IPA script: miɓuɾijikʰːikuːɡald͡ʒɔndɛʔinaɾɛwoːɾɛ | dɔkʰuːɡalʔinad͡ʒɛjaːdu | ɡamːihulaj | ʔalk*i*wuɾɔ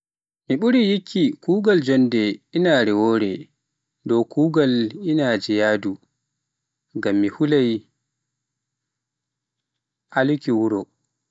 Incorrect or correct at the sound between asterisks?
correct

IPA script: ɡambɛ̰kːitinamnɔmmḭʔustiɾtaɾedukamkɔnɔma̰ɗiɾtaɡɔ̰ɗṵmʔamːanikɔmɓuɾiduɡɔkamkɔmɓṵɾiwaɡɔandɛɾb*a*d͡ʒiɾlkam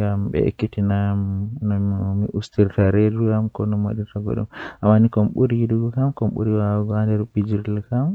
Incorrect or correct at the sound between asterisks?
incorrect: i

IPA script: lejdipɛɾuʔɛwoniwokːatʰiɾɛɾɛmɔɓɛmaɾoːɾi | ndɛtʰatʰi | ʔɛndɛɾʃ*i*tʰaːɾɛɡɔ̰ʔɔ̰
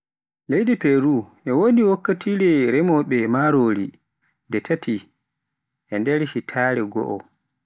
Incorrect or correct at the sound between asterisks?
correct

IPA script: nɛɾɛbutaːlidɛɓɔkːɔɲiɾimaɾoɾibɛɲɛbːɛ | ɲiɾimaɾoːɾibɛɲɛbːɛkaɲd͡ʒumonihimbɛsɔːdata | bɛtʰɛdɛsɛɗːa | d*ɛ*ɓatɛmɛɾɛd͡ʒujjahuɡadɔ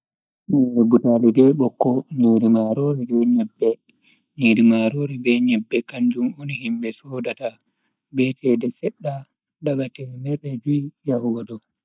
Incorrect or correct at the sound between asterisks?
incorrect: a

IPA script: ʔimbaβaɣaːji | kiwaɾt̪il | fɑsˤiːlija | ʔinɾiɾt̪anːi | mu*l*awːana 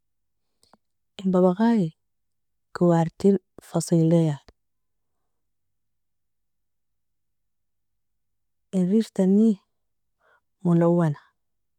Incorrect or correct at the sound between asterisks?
correct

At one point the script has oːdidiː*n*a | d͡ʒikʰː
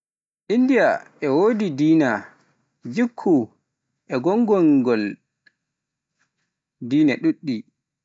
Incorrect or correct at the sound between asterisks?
correct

